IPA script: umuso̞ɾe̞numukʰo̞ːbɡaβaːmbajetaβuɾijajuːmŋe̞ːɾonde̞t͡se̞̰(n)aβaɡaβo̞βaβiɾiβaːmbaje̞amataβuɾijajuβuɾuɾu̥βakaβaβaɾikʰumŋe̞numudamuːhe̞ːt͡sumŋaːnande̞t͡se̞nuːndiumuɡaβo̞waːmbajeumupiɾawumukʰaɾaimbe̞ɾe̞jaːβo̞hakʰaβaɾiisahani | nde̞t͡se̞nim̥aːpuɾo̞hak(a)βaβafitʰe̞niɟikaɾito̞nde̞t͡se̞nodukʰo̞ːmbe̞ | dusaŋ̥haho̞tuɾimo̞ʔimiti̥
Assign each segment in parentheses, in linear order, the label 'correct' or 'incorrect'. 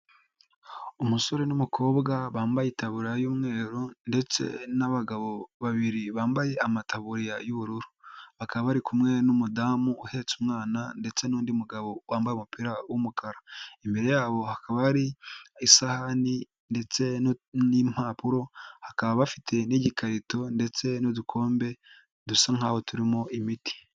correct, correct

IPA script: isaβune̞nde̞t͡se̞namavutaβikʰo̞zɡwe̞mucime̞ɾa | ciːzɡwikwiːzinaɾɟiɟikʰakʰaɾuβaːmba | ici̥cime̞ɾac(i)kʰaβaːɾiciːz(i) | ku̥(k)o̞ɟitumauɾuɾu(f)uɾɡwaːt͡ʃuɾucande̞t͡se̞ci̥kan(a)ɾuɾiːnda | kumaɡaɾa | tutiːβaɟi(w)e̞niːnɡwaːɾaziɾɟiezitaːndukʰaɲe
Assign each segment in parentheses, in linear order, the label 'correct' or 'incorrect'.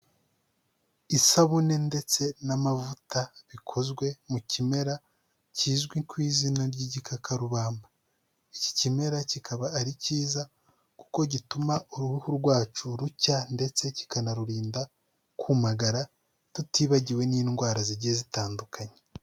correct, incorrect: a, correct, incorrect: h, correct, correct

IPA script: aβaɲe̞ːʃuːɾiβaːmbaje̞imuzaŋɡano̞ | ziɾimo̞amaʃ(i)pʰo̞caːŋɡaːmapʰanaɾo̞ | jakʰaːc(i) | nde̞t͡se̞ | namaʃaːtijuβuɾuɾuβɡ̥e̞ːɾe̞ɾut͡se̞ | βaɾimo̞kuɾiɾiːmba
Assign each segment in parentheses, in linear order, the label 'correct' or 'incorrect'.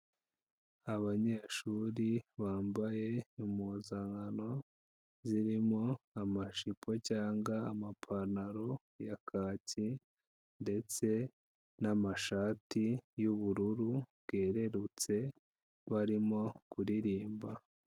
correct, correct

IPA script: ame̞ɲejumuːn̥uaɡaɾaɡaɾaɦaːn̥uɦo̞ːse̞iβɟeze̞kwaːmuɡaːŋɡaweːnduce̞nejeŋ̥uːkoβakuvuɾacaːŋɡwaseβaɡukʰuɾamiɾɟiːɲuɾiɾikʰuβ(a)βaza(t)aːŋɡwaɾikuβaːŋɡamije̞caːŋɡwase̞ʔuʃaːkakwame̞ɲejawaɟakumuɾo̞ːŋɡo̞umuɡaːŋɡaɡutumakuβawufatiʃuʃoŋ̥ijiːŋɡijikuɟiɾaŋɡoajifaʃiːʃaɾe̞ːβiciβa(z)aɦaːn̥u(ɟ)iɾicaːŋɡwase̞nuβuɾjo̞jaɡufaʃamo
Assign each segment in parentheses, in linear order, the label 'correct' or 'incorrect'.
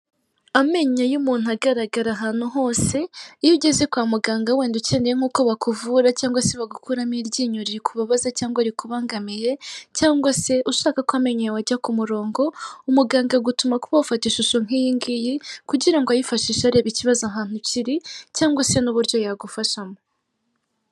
correct, incorrect: c, correct, incorrect: c

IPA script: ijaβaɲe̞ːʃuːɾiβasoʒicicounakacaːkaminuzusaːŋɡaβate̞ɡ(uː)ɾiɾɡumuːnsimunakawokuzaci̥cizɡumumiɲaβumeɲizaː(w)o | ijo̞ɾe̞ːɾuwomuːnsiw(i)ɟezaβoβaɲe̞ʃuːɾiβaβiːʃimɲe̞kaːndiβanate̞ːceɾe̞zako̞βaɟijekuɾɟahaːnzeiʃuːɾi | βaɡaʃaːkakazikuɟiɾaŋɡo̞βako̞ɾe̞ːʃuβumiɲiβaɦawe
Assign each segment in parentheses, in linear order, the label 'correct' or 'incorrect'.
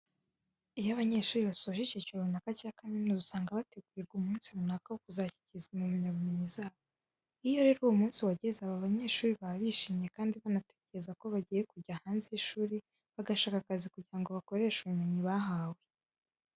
incorrect: u, incorrect: β, incorrect: a

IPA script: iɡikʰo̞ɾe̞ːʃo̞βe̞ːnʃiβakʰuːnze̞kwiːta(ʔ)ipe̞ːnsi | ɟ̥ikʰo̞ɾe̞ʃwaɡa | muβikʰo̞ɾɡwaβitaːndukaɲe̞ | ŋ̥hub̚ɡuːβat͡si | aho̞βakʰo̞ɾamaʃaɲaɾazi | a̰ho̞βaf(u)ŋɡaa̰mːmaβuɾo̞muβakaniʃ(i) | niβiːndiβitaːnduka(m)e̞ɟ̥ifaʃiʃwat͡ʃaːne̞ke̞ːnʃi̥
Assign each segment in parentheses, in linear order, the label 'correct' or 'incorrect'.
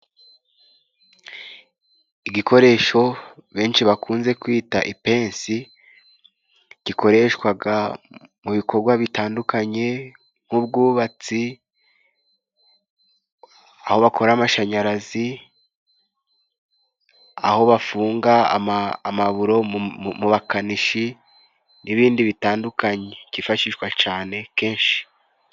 correct, incorrect: uː, correct, incorrect: ɲ

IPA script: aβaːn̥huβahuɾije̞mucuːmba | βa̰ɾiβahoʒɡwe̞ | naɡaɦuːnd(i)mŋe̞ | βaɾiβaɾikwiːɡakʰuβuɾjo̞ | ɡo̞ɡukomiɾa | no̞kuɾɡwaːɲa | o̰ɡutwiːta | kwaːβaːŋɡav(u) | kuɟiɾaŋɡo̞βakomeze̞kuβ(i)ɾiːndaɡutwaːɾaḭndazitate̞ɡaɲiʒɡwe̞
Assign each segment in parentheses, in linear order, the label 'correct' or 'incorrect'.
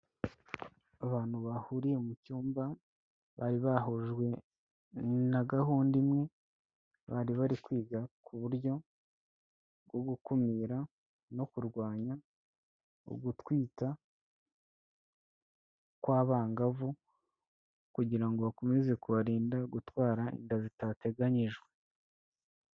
correct, correct, incorrect: a

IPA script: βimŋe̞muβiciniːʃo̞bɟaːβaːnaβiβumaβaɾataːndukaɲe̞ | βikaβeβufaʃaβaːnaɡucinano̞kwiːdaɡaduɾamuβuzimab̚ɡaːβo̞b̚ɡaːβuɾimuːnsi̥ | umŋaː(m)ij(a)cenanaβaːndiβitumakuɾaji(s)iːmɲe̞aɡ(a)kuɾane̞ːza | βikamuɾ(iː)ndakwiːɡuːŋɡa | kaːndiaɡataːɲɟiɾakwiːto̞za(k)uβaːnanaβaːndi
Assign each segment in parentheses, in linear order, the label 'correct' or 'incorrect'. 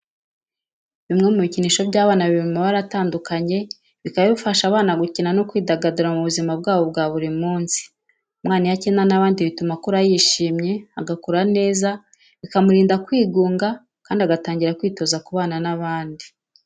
incorrect: n, correct, incorrect: ʃ, correct, correct, correct

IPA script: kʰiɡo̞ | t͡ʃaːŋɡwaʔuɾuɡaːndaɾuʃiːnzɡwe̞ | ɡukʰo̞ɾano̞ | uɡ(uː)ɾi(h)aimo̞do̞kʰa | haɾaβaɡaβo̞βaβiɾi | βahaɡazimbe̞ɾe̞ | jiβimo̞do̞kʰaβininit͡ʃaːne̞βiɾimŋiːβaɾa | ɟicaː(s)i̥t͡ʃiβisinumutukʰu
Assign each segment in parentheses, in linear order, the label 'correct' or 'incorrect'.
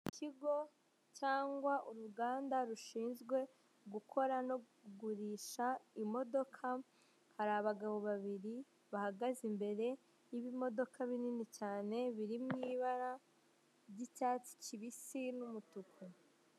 incorrect: u, incorrect: ʃ, incorrect: t͡s

